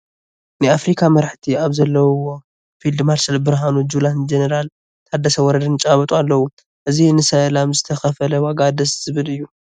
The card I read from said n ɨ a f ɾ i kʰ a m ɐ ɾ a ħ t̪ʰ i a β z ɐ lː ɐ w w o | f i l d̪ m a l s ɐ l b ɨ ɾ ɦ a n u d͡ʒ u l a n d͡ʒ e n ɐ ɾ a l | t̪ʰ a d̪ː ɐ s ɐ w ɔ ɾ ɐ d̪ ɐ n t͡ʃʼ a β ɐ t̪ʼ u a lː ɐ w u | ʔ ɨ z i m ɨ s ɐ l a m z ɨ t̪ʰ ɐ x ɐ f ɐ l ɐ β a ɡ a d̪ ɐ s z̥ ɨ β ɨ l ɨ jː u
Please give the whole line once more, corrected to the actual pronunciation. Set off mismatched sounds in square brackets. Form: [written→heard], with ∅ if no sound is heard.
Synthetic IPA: n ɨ a f ɾ i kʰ a m ɐ ɾ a ħ t̪ʰ i a β z ɐ lː ɐ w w o | f i l d̪ m a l s ɐ l b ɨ ɾ ɦ a n u d͡ʒ u l a n d͡ʒ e n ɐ ɾ a l | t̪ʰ a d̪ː ɐ s ɐ w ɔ ɾ ɐ d̪ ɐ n t͡ʃʼ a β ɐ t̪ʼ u a lː ɐ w u | ʔ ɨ z i [m→n] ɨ s ɐ l a m z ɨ t̪ʰ ɐ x ɐ f ɐ l ɐ [β→w] a ɡ a d̪ ɐ s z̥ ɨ β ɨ l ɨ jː u

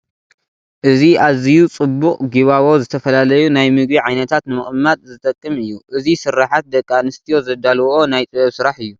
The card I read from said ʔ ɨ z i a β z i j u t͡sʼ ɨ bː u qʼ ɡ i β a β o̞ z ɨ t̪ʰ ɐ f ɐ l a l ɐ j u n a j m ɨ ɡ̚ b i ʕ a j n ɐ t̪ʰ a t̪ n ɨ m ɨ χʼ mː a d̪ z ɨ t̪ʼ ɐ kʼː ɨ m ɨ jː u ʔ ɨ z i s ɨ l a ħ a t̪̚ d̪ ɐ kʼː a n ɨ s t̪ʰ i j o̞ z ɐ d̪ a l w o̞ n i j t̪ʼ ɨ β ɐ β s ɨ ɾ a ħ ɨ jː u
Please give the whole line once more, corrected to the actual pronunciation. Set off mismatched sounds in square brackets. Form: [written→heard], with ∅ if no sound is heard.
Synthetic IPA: ʔ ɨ z i a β z i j u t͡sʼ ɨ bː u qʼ ɡ i β a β o̞ z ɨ t̪ʰ ɐ f ɐ l a l ɐ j u n a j m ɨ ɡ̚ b i ʕ a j n ɐ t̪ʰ a t̪ n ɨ m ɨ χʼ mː a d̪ z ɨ t̪ʼ ɐ kʼː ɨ m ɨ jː u ʔ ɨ z i s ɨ [l→ɾ] a ħ a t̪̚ d̪ ɐ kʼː a n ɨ s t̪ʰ i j o̞ z ɐ d̪ a l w o̞ n [i→a] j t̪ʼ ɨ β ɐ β s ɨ ɾ a ħ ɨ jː u

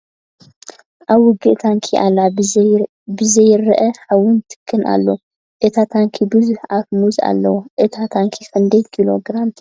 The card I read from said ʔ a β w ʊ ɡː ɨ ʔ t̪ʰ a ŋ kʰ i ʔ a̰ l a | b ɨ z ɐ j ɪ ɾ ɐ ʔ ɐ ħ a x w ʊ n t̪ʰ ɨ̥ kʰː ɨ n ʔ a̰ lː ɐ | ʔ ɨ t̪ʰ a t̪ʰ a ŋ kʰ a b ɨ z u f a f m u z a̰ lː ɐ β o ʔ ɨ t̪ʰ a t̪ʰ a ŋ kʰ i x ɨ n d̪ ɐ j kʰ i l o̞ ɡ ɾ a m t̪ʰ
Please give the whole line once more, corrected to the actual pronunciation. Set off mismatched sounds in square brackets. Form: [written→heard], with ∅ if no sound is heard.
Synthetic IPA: ʔ a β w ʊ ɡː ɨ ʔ t̪ʰ a ŋ kʰ i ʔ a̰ l a | b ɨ z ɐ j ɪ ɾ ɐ ʔ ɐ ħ a [x→∅] w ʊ n t̪ʰ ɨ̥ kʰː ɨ n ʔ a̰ lː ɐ | ʔ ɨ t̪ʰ a t̪ʰ a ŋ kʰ [a→i] b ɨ z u [f→ħ] a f m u z a̰ lː ɐ [β→w] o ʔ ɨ t̪ʰ a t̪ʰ a ŋ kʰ i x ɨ n d̪ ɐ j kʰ i l o̞ ɡ ɾ a m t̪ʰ

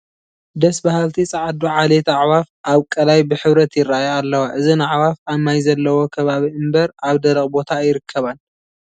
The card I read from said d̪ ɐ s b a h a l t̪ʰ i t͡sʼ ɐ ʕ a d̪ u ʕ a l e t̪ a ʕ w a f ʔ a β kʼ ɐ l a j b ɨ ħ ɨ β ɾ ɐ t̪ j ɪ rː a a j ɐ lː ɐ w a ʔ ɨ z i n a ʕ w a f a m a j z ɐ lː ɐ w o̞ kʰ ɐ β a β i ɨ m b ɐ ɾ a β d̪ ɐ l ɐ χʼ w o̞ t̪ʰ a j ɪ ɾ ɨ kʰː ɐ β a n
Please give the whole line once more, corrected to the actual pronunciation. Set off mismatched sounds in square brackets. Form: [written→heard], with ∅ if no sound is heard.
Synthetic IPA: d̪ ɐ s b a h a l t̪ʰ i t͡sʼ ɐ ʕ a d̪ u ʕ a l e t̪ a ʕ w a f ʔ a β kʼ ɐ l a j b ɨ ħ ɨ β ɾ ɐ t̪ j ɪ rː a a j [ɐ→a] lː ɐ w a ʔ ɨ z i n a ʕ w a f a m a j z ɐ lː ɐ w o̞ kʰ ɐ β a β i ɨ m b ɐ ɾ a β d̪ ɐ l ɐ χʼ [w→b] o̞ t̪ʰ a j ɪ ɾ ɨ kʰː ɐ β a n

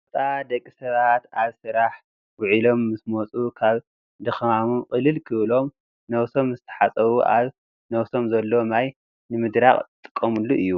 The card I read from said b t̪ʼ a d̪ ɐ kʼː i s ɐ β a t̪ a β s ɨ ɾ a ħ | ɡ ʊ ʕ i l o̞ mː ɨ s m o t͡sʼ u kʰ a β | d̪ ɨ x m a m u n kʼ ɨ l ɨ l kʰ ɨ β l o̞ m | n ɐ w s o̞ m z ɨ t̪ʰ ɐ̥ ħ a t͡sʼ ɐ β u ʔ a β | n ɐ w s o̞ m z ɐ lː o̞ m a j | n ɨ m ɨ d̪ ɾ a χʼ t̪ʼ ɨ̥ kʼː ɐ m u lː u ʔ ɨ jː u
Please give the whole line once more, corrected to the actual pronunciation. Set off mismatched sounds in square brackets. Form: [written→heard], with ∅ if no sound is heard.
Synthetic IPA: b t̪ʼ a d̪ ɐ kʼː i s ɐ β a t̪ a β s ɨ ɾ a ħ | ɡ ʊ ʕ i l o̞ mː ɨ s m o t͡sʼ u kʰ a β | d̪ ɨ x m a m u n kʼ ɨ l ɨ l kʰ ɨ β l o̞ m | n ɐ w s o̞ m z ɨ t̪ʰ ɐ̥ ħ a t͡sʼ ɐ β u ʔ a β | n ɐ w s o̞ m z ɐ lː o̞ m a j | n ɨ m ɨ d̪ ɾ a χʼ t̪ʼ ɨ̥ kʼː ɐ m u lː u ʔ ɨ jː u

